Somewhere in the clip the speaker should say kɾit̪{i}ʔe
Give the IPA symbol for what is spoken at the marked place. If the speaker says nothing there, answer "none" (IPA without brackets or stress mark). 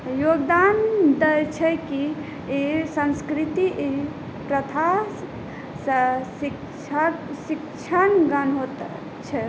i